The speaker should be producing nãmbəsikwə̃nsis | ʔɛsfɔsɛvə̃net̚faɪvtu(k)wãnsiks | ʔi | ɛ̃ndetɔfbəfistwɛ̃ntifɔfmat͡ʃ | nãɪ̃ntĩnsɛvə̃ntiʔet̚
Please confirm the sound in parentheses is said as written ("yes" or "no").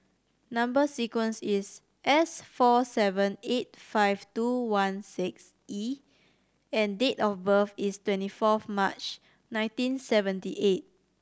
no